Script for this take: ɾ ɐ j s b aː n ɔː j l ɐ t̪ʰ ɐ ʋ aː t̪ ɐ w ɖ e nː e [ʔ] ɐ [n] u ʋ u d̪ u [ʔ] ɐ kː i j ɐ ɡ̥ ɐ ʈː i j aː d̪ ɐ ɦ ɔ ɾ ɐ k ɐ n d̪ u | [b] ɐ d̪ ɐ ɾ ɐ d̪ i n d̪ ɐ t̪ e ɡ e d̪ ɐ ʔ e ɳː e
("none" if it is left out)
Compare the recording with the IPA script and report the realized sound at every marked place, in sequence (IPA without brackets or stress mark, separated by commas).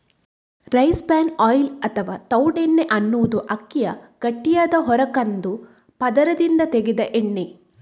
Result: ʔ, nː, ʔ, p